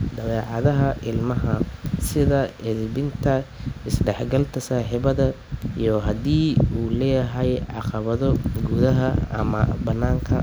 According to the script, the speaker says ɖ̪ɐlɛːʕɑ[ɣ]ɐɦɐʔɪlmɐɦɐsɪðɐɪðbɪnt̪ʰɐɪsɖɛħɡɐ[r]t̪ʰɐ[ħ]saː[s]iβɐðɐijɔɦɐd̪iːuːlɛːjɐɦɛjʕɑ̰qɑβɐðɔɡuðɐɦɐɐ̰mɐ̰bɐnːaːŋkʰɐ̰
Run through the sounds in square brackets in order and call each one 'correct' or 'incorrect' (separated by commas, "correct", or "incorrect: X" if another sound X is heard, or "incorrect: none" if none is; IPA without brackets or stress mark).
incorrect: ð, incorrect: l, incorrect: none, incorrect: ħ